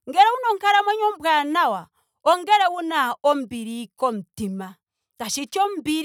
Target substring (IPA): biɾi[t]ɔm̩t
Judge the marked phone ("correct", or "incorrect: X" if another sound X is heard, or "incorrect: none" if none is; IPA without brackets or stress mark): incorrect: k